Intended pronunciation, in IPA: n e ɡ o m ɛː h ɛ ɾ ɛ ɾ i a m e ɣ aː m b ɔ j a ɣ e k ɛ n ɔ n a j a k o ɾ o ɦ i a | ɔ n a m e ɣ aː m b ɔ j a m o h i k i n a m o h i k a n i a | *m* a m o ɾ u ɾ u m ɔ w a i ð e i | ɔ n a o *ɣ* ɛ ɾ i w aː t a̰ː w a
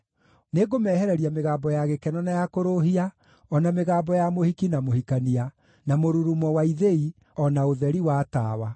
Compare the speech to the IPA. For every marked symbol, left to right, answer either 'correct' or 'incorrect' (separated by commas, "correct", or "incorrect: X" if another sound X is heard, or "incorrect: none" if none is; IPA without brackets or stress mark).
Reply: incorrect: n, incorrect: ð